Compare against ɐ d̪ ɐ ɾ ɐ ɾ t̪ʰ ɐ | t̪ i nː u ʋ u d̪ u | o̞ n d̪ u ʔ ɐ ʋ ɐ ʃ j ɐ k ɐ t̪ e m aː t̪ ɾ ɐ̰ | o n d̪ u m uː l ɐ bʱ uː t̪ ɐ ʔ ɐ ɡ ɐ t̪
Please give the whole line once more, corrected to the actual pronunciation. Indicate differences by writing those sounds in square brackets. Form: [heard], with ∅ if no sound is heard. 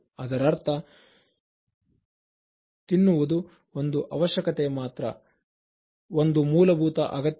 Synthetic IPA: ɐ d̪ ɐ ɾ ɐ ɾ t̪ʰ ɐ | t̪ i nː u ʋ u d̪ u | o̞ n d̪ u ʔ ɐ ʋ ɐ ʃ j ɐ k ɐ t̪ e m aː t̪ ɾ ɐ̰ | o n d̪ u m uː l ɐ bʱ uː t̪ ɐ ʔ ɐ ɡ ɐ t̪